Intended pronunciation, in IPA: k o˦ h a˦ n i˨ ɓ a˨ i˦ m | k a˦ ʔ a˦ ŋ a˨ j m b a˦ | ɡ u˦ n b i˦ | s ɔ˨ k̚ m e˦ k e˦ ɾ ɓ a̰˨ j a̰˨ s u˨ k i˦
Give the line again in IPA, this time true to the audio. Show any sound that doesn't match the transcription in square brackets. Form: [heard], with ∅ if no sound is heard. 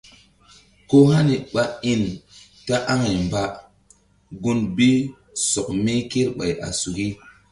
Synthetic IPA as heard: k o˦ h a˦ n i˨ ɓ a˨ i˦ [n] | [t] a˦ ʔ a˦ ŋ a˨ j m b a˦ | ɡ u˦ n b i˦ | s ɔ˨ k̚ m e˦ k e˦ ɾ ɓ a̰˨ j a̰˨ s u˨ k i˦